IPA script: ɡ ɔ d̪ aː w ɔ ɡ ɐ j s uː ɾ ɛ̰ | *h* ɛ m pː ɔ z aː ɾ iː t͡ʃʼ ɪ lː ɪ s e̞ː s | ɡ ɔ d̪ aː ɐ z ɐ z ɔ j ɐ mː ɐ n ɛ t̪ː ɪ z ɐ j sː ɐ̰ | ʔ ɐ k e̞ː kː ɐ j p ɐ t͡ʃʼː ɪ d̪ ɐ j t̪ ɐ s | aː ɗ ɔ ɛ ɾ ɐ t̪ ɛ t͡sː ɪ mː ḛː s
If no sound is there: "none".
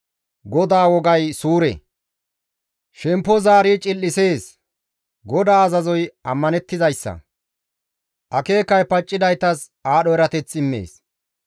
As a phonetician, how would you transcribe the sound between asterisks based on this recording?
ʃ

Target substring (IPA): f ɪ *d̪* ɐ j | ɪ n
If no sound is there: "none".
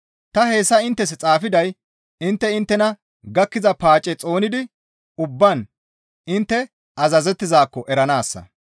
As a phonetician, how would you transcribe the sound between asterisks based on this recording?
d̪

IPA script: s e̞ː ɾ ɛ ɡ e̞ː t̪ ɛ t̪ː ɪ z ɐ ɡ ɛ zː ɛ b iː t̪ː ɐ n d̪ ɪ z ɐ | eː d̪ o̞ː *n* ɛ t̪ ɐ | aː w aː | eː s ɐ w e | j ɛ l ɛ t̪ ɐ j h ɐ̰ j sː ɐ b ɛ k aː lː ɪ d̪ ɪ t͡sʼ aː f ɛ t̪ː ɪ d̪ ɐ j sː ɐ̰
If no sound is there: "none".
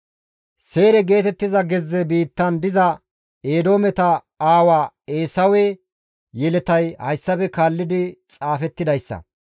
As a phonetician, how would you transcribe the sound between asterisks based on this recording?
m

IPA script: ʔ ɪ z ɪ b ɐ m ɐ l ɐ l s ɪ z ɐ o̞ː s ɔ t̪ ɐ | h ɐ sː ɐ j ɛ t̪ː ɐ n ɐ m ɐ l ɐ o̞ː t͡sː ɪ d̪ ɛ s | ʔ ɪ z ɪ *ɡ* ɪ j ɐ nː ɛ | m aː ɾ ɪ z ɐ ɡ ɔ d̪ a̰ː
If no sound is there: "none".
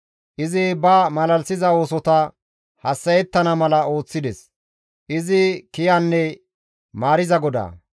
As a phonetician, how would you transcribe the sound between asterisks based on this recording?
k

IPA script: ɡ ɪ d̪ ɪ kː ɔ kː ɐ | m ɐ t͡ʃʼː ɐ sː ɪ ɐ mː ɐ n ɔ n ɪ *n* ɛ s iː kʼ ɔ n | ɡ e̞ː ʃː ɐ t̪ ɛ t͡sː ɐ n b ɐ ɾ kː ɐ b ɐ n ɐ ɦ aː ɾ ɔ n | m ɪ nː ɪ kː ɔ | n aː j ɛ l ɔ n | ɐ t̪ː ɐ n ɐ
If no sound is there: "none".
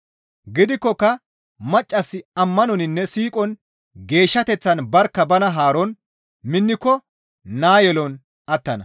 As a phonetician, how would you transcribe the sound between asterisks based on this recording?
nː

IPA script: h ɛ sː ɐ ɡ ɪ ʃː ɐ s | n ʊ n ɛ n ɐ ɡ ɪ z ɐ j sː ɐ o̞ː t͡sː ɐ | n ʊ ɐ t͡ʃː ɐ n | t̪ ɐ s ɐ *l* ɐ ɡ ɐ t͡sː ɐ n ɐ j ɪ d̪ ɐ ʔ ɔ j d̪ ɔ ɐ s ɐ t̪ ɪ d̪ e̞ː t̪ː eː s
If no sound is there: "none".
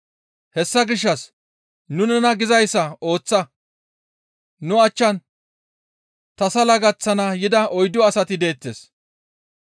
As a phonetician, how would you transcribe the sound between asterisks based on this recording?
l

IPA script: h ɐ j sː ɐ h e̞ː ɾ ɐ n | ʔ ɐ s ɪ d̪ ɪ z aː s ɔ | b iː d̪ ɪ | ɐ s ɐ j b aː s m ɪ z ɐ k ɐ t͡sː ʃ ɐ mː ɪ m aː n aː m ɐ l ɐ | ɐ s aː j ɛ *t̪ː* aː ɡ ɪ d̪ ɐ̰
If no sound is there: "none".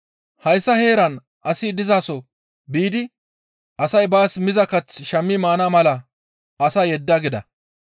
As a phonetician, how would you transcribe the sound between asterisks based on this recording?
d̪ː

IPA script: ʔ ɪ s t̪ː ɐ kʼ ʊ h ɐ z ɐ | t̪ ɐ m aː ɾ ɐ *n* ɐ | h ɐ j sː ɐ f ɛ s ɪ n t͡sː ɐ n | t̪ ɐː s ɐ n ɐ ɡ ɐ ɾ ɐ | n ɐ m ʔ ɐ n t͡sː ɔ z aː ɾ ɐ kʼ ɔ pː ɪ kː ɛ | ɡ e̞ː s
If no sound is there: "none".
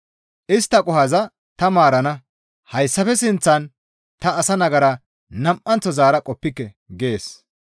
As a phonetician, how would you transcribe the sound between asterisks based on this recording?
n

